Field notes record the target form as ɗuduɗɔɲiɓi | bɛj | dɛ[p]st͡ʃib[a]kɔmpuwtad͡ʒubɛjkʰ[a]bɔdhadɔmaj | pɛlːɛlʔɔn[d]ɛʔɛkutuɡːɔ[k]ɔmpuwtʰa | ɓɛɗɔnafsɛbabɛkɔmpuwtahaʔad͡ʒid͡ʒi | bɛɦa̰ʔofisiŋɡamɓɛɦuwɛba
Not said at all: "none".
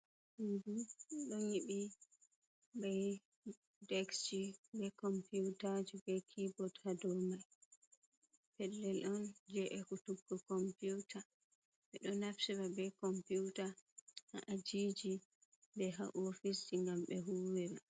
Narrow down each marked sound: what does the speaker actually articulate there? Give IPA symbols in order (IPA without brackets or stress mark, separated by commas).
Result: k, ɛ, i, d͡ʒ, k